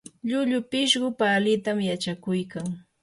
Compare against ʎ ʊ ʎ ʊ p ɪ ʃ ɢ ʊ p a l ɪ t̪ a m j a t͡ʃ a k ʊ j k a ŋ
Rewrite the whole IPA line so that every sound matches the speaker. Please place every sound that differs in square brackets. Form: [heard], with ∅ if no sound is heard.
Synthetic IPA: ʎ ʊ ʎ ʊ p ɪ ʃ ɢ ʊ p a l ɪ t̪ a m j a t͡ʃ a k ʊ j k a ŋ